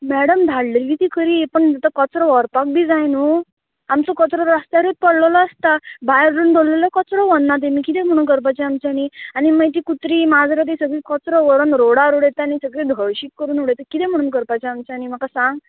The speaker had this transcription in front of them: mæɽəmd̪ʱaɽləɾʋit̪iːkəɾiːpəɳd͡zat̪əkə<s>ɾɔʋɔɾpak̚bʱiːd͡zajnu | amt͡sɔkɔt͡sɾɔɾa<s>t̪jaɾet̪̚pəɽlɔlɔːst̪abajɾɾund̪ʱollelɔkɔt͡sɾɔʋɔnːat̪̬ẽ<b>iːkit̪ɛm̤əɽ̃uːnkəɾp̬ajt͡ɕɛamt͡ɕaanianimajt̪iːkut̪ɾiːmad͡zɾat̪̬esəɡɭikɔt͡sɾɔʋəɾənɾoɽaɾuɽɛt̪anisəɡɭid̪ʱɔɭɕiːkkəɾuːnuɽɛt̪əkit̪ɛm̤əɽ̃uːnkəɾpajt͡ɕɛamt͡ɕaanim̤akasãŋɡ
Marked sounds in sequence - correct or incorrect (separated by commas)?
incorrect, correct, incorrect